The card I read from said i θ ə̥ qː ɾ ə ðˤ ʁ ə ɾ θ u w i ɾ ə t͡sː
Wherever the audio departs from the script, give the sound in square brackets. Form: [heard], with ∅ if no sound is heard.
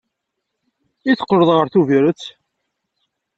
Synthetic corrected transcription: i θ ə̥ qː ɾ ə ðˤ ʁ ə ɾ θ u [v] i ɾ ə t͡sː